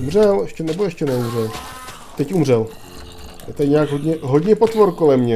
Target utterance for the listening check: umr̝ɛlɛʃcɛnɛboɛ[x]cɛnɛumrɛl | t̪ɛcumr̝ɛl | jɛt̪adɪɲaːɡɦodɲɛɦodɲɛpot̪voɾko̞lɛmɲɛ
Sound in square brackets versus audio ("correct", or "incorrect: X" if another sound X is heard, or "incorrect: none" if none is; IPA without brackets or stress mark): incorrect: ʃ